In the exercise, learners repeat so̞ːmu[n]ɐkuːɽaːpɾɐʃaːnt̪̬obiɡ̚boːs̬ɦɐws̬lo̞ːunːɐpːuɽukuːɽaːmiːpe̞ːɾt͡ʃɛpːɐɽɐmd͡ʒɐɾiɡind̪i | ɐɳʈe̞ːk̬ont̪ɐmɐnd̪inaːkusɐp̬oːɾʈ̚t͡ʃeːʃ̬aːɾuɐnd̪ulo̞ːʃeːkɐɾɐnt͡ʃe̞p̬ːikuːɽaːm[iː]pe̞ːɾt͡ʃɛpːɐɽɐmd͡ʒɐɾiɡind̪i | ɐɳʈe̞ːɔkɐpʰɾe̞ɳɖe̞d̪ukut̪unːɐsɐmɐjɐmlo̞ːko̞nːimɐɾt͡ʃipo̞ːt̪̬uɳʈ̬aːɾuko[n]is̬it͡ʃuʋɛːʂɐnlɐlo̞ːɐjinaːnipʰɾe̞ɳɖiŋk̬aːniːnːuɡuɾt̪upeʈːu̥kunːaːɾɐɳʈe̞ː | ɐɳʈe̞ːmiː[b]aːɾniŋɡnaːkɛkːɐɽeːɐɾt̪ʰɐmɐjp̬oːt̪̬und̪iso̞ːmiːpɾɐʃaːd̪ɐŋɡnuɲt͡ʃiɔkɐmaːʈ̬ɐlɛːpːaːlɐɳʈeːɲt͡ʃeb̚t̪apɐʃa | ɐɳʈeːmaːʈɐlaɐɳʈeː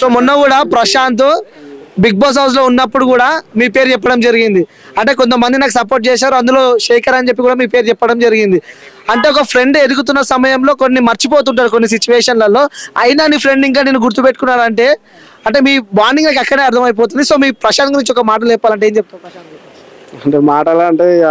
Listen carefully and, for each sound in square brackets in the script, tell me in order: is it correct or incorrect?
incorrect, correct, incorrect, correct

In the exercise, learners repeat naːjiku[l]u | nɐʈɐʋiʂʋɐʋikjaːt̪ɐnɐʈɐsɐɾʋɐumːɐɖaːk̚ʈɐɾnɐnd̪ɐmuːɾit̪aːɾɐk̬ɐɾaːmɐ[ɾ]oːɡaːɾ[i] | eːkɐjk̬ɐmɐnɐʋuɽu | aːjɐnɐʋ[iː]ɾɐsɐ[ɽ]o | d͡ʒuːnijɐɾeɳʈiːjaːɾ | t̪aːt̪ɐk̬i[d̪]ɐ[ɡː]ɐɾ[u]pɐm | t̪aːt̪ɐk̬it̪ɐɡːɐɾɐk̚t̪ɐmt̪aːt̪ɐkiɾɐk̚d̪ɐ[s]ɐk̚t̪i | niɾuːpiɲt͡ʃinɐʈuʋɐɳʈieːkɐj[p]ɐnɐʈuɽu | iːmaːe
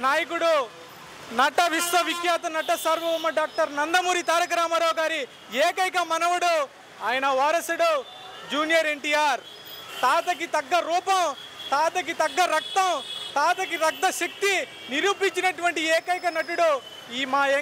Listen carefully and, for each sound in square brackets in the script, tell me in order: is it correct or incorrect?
incorrect, correct, correct, incorrect, correct, incorrect, correct, incorrect, incorrect, incorrect

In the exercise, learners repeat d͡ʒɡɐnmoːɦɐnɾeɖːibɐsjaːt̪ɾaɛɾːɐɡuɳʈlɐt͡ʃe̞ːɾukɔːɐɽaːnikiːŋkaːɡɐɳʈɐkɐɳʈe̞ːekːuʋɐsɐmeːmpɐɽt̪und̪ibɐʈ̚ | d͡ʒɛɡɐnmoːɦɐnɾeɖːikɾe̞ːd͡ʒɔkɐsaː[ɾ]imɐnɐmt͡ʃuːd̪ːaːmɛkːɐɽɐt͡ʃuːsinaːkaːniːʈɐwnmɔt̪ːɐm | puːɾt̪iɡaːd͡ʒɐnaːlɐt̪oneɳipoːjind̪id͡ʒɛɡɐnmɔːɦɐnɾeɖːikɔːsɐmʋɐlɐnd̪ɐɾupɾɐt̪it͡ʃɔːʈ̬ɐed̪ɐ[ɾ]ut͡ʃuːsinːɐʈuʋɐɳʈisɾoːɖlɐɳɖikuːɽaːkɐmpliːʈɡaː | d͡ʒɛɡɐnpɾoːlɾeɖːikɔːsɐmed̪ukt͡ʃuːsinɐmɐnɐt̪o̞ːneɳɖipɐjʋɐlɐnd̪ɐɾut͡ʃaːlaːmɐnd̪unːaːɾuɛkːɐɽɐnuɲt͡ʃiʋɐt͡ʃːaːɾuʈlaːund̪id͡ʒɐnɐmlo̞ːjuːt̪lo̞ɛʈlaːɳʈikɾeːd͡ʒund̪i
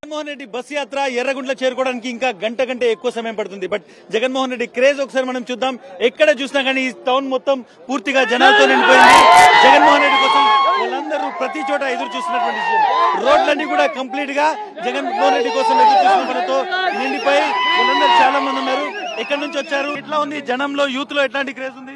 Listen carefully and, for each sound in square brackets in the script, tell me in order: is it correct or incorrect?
correct, correct

